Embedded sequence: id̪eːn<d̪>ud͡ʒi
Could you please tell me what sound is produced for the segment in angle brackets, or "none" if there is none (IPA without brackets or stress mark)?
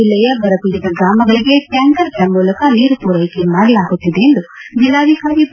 d̪